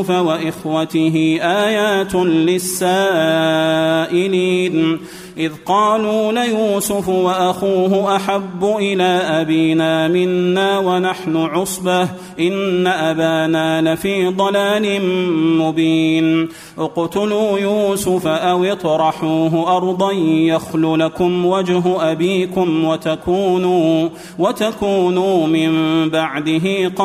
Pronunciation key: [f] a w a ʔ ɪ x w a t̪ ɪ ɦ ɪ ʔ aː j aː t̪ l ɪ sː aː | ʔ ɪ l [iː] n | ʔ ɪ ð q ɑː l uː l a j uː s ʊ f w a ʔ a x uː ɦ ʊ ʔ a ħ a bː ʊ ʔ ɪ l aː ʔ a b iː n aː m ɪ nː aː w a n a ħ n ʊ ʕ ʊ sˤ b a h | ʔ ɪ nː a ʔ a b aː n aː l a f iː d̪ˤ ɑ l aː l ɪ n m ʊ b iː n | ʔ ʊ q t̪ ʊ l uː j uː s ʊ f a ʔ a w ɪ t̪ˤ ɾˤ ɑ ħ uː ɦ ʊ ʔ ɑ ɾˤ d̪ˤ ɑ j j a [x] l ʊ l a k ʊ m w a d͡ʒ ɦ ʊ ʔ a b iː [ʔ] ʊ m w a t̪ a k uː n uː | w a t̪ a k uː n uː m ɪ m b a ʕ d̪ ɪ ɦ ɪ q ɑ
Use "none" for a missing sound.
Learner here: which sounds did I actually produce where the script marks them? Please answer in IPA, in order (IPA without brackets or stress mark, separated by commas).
f, iː, x, k